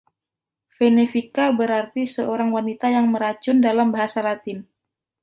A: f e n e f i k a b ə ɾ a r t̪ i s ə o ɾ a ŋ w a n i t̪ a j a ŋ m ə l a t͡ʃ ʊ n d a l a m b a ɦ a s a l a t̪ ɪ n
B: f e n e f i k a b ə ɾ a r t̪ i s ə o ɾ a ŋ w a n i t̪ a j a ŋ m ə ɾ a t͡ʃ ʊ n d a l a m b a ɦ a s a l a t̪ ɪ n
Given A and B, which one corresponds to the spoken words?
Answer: B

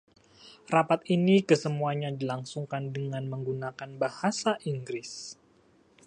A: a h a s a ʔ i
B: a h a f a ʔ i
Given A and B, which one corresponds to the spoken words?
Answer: A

